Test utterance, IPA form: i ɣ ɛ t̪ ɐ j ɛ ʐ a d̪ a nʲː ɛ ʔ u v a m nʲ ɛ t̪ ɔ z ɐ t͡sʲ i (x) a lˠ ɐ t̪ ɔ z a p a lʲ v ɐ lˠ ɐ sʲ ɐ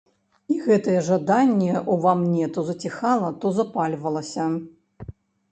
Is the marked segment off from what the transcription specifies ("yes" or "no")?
no